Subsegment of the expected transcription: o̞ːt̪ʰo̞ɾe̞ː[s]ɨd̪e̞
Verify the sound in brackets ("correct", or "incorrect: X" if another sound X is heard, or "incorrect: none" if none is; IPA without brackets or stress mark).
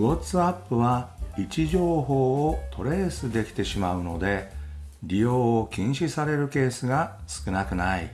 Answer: correct